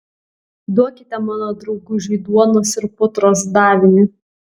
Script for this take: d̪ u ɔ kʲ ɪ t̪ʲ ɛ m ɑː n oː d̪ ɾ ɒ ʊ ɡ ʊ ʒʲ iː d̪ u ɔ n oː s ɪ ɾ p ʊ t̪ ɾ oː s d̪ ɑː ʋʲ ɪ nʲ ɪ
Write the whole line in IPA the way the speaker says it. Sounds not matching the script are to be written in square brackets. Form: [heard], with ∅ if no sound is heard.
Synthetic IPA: d̪ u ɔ kʲ ɪ t̪ʲ ɛ m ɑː n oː d̪ ɾ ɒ ʊ ɡ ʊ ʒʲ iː d̪ u ɔ n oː s ɪ ɾ p ʊ t̪ ɾ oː s d̪ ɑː ʋʲ ɪ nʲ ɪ